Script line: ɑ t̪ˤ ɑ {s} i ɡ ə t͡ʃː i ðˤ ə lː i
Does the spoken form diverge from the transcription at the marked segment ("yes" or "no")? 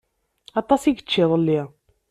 no